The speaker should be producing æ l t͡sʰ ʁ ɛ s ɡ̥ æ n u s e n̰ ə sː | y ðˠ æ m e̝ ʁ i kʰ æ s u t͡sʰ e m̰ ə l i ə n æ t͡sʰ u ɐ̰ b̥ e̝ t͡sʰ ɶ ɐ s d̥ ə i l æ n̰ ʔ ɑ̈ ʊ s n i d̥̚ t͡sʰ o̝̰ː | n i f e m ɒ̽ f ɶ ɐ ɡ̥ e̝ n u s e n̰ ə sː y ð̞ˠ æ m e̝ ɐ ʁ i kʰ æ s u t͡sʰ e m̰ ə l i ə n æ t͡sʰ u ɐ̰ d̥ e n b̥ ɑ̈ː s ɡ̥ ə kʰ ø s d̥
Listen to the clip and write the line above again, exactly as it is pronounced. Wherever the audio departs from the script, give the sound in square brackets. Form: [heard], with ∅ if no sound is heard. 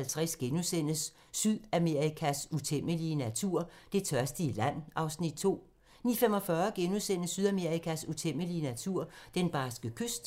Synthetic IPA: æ l t͡sʰ ʁ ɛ s ɡ̥ [e] n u s e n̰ ə sː | y ðˠ æ m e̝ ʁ i kʰ æ s u t͡sʰ e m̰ ə l i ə n æ t͡sʰ u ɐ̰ [d̥] e̝ t͡sʰ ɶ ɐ s d̥ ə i l æ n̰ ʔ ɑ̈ ʊ s n i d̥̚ t͡sʰ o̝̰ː | n i f e m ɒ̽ f ɶ ɐ ɡ̥ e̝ n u s e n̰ ə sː y ð̞ˠ æ m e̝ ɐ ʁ i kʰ æ s u t͡sʰ e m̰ ə l i ə n æ t͡sʰ u ɐ̰ d̥ e n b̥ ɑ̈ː s ɡ̥ ə kʰ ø s d̥